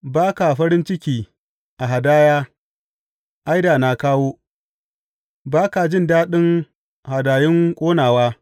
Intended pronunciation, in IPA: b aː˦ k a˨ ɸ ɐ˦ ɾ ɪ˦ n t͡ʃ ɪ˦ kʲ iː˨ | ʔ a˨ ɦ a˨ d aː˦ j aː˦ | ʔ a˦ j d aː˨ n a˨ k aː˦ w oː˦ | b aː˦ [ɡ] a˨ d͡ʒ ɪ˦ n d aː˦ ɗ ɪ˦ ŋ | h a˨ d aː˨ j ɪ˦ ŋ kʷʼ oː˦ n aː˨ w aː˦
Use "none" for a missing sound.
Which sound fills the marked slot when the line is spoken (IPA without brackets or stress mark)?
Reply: k